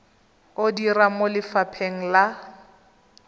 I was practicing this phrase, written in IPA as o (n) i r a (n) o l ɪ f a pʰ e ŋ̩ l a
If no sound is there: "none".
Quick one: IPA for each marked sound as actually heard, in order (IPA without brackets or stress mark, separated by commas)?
d, m